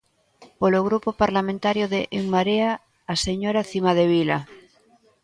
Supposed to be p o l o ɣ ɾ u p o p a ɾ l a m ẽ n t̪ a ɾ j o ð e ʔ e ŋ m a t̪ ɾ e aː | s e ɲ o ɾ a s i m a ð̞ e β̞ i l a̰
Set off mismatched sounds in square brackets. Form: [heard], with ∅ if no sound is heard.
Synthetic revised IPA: p o l o ɣ ɾ u p o p a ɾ l a m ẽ n t̪ a ɾ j o ð e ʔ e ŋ m a [∅] ɾ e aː | s e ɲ o ɾ a [θ] i m a ð̞ e β̞ i l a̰